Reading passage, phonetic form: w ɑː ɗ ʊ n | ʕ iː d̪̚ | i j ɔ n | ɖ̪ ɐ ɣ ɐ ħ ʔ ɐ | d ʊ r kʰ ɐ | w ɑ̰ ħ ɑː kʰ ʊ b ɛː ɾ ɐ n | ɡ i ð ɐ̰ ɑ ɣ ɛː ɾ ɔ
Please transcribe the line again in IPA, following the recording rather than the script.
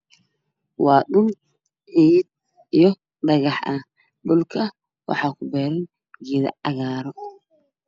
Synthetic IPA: w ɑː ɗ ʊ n | ʕ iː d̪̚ | i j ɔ | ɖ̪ ɐ ɣ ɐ ħ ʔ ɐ | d ʊ l kʰ ɐ | w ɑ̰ ħ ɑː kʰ ʊ b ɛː ɾ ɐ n | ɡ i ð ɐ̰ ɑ ɣ aː ɾ ɔ

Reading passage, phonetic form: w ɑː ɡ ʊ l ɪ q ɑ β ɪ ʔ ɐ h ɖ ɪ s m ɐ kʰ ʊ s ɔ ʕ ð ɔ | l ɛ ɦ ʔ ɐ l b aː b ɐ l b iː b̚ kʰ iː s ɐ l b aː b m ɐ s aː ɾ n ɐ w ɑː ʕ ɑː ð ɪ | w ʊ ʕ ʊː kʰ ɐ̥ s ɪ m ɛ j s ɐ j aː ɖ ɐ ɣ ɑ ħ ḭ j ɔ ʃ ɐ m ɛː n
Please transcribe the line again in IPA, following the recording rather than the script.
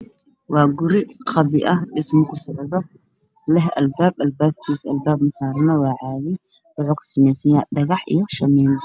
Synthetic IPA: w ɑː ɡ ʊ ɾ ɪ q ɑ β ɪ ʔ ɐ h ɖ ɪ s m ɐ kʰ ʊ s ɔ ʕ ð ɔ | l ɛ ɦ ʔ ɐ l b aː b ɐ l b aː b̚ kʰ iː s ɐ l b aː b m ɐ s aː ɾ n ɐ w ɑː ʕ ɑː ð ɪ | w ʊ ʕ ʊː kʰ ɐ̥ s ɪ m ɛ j s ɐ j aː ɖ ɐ ɣ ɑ ħ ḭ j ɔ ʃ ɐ m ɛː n

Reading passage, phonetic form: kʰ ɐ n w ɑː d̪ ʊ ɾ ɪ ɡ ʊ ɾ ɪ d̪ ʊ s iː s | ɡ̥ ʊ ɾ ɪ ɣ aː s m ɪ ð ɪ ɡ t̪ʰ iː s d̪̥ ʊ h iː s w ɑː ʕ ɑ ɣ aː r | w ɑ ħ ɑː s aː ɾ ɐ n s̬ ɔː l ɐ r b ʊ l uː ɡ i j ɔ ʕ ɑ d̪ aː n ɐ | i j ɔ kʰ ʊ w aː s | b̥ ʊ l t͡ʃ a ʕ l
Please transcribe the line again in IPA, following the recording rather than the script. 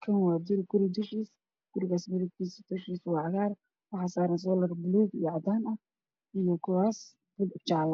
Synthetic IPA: kʰ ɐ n w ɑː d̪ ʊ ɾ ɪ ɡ ʊ ɾ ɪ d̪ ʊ ʃ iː s | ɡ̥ ʊ ɾ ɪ ɣ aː s m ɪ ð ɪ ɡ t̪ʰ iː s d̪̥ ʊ ʃ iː s w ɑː ʕ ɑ ɣ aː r | w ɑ ħ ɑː s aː ɾ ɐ n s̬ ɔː l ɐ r b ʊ l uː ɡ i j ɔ ʕ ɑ d̪ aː n ɐ | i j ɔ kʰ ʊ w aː s | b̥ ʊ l t͡ʃ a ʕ l

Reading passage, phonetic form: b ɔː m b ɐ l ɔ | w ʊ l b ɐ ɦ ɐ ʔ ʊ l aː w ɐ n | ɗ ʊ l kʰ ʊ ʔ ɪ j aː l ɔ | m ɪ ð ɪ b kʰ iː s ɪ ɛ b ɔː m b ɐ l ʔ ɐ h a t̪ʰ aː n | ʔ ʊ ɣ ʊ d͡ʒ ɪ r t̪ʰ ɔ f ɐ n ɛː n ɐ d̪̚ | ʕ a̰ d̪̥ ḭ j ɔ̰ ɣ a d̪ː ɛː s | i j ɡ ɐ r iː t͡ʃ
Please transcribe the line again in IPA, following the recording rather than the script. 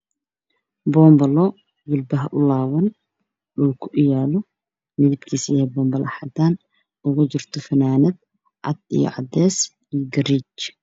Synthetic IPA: b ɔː m b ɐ l ɔ | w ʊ l b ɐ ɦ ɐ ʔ ʊ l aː w ɐ n | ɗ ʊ l kʰ ʊ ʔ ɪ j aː l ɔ | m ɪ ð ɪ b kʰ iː s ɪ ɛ b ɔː m b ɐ l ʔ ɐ ħ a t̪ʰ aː n | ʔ ʊ ɣ ʊ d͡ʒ ɪ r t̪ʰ ɔ f ɐ n aː n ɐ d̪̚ | ʕ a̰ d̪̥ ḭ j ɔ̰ ʕ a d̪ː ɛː s | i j ɡ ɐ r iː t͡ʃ

